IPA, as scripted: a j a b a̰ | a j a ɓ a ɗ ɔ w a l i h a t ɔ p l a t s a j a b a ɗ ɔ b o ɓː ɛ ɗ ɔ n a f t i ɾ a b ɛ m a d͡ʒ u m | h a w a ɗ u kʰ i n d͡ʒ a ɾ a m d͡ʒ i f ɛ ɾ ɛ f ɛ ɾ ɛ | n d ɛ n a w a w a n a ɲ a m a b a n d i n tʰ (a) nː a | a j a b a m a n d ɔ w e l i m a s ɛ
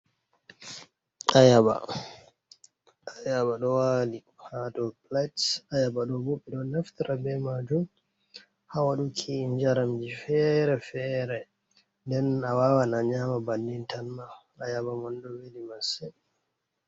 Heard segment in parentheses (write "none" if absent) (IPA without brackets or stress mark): a